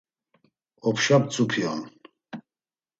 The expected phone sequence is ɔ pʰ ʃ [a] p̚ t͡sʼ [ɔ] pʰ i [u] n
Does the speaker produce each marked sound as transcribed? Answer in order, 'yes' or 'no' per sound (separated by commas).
yes, no, no